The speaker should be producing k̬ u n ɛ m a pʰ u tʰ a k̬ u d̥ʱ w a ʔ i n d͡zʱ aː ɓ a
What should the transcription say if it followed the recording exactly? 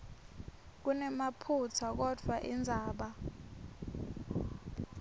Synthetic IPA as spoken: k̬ u n ɛ m a pʰ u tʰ a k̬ ɔ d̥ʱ w a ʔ i n d͡zʱ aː ɓ a